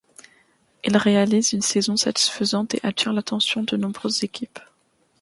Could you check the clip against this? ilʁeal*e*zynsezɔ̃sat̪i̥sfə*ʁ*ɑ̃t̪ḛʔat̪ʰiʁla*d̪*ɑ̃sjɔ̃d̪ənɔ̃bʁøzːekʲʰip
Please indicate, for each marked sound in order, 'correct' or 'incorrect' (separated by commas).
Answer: incorrect, incorrect, incorrect